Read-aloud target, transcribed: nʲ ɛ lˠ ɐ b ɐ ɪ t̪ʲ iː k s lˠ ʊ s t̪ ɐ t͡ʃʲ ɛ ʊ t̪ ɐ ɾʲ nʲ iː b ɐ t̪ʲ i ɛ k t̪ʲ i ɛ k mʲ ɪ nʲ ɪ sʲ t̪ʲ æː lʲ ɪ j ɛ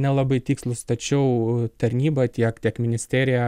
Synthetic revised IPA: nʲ ɛ lˠ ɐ b ɐ ɪ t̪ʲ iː k s lˠ ʊ s t̪ ɐ t͡ʃʲ ɛ ʊ t̪ ɐ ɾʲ nʲ iː b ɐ t̪ʲ i ɛ k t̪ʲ i ɛ k mʲ ɪ nʲ ɪ sʲ t̪ʲ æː ɾʲ ɪ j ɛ